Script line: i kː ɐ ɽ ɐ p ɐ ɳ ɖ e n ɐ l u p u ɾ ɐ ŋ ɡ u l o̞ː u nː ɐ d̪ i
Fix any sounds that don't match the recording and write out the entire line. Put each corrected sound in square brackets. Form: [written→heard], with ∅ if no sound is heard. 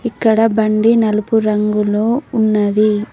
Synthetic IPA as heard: i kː ɐ ɽ ɐ [p→b] ɐ ɳ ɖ [e→i] n ɐ l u p u ɾ ɐ ŋ ɡ u l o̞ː u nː ɐ d̪ i